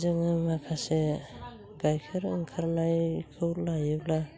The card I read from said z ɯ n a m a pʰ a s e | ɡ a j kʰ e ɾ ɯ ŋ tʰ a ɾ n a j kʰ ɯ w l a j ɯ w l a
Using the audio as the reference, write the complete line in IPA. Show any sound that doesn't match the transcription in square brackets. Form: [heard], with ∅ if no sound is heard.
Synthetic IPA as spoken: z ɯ [ŋ] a m a [kʰ] a s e | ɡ a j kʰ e ɾ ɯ ŋ [kʰ] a ɾ n a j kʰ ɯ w l a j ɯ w l a